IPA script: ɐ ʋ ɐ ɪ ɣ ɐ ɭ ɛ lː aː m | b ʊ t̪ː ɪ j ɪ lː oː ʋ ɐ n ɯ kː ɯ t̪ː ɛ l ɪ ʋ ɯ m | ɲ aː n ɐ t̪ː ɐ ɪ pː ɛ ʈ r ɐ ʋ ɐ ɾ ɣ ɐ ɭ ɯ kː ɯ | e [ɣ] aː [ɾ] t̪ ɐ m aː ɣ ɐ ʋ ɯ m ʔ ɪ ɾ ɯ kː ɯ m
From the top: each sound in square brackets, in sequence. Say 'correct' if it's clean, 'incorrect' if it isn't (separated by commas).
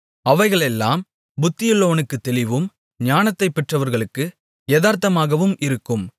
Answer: incorrect, correct